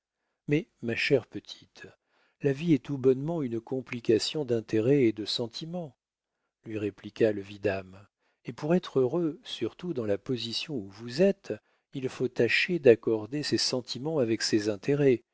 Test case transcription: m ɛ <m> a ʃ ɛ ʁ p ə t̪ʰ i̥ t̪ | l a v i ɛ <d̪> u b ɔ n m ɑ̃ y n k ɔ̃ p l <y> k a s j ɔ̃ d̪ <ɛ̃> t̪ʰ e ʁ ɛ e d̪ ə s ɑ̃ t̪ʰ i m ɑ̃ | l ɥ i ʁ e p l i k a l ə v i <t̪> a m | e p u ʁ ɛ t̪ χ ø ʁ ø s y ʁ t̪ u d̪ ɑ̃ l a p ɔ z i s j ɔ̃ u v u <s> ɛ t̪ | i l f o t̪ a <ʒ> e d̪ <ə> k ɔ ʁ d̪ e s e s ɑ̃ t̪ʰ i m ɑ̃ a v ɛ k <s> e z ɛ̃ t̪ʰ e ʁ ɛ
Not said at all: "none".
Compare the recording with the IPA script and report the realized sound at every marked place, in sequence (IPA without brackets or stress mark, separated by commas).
m, t̪, i, ɛ̃, d̪, z, ʃ, a, s